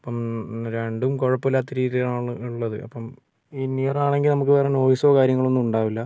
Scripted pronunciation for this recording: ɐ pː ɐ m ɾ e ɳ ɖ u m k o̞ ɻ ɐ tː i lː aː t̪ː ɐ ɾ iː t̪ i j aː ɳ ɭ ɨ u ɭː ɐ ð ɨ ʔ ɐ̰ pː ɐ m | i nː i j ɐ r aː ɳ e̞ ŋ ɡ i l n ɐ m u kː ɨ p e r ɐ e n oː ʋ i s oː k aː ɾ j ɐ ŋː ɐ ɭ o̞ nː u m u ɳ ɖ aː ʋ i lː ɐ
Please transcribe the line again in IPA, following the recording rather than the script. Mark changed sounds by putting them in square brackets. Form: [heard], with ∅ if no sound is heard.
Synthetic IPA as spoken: ɐ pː ɐ m ɾ e ɳ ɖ u m k o̞ ɻ ɐ [pː] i lː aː t̪ː ɐ ɾ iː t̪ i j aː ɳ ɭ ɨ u ɭː ɐ ð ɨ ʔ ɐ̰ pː ɐ m | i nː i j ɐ r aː ɳ e̞ ŋ ɡ i l n ɐ m u kː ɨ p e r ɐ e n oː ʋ i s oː k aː ɾ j ɐ ŋː ɐ ɭ o̞ nː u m u ɳ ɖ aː ʋ i lː ɐ